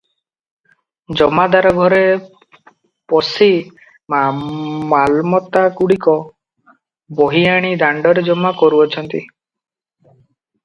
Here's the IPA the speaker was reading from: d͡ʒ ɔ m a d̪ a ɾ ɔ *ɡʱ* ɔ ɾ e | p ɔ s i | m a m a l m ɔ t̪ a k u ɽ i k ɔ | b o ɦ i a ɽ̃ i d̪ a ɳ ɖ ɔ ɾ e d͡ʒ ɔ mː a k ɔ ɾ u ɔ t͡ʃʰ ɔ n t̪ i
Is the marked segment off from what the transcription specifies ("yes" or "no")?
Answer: no